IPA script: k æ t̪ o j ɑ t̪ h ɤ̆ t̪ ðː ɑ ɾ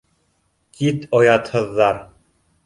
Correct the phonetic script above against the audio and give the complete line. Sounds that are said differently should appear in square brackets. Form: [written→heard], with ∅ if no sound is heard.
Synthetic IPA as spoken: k [æ→i] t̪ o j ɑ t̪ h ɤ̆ [t̪→∅] ðː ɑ ɾ